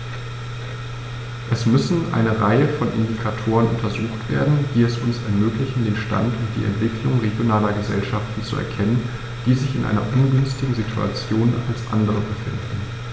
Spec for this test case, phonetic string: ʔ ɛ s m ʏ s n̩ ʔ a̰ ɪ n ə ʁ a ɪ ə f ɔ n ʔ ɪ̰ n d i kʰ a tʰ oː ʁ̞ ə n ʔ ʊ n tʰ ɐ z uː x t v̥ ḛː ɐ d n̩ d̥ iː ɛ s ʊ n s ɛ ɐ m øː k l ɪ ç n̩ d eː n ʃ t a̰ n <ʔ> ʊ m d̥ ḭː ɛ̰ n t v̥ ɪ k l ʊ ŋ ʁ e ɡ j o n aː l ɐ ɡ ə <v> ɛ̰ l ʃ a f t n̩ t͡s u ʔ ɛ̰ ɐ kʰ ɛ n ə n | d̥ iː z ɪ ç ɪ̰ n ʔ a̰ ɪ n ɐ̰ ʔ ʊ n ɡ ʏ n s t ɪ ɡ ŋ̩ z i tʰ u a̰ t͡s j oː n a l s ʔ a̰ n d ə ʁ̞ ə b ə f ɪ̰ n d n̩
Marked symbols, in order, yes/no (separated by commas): no, no